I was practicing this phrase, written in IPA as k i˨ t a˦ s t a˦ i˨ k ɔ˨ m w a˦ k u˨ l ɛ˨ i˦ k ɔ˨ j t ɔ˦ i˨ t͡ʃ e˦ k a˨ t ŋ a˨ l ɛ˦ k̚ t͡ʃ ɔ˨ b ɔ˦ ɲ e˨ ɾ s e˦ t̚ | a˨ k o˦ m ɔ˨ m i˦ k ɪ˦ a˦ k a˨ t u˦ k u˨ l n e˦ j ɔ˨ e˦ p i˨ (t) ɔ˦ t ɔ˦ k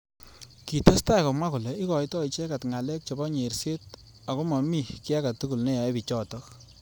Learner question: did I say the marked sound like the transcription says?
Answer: no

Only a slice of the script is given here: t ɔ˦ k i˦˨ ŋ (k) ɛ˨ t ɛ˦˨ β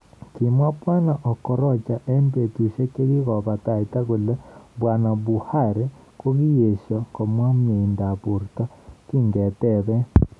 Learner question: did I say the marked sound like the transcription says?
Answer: no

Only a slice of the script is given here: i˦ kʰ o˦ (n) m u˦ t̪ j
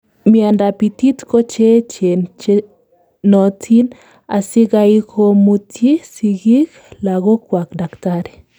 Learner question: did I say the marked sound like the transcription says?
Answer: no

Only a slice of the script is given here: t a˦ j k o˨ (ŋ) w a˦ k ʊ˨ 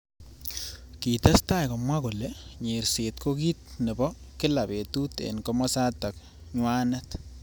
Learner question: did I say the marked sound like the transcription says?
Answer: no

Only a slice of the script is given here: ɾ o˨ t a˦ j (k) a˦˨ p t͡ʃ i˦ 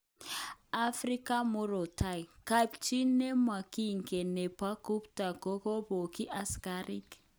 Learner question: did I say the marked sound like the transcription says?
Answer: yes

